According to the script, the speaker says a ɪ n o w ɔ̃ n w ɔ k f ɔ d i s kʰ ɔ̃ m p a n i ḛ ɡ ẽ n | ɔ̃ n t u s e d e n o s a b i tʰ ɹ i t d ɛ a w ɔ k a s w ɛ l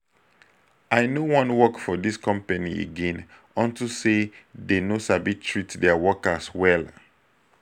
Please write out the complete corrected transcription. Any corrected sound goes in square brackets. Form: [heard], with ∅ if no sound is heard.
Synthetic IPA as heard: a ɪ n o w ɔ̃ n w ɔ k f ɔ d i s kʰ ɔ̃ m p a n i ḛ ɡ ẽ n | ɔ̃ n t u s e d e n o s a b i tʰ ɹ i t d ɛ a w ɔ k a s w ɛ l